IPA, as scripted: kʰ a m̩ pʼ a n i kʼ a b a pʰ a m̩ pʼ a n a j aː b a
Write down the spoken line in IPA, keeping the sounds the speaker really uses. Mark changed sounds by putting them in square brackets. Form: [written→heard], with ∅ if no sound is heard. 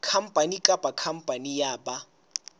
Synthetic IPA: kʰ a m̩ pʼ a n i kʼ a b a [pʰ→kʰ] a m̩ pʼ a n [a→i] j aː b a